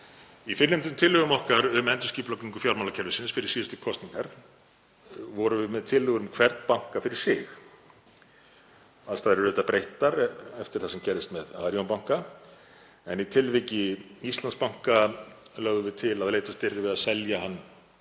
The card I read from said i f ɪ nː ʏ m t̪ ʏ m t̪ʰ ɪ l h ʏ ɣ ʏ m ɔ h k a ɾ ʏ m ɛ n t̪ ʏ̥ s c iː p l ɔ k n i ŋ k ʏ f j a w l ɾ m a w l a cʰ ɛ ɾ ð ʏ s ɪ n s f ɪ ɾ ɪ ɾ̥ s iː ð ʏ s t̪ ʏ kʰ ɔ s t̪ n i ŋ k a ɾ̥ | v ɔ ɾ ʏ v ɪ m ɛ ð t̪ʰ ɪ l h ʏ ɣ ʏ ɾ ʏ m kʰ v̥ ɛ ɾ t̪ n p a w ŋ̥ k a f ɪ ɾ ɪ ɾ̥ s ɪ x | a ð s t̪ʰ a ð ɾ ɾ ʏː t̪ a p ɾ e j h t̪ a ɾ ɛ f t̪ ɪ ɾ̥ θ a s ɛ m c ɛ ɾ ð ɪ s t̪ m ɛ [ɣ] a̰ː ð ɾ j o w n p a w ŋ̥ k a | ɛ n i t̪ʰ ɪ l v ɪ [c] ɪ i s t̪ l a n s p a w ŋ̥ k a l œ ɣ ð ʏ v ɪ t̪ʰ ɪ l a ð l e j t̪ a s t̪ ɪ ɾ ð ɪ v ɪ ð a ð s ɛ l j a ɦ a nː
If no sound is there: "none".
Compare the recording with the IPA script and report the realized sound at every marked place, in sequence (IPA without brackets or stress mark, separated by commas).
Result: ð, c